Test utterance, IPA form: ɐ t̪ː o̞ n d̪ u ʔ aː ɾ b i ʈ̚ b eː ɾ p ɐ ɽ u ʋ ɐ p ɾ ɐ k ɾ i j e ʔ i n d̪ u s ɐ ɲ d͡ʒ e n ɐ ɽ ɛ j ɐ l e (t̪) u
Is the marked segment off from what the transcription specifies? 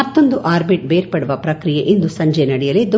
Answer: yes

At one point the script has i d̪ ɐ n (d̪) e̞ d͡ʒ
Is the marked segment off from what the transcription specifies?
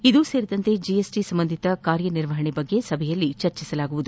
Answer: yes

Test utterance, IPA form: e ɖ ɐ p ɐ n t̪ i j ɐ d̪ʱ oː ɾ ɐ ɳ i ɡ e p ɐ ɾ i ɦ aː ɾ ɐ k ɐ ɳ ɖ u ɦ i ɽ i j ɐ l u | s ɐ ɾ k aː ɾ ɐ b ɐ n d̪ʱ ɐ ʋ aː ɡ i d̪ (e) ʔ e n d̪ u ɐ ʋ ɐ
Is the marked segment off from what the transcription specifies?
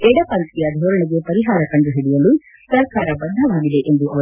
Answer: no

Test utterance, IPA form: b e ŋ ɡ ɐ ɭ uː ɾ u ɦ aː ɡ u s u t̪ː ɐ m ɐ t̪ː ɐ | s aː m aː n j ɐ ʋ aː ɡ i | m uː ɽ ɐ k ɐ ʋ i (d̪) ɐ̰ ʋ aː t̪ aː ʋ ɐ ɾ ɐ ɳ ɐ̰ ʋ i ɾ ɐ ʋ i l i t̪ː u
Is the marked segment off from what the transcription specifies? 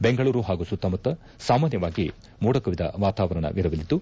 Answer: no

